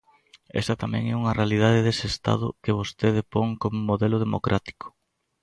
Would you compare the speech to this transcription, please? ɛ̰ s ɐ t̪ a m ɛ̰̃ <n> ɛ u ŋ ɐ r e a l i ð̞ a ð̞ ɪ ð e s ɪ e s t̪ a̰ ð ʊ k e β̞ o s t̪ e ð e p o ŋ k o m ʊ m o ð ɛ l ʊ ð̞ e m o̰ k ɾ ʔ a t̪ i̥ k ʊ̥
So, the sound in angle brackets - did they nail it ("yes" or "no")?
no